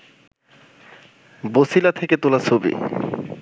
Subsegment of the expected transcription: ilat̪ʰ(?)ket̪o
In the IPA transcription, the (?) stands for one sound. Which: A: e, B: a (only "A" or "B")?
A